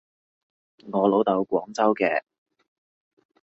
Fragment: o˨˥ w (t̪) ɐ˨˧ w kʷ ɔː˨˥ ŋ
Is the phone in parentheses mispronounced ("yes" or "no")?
no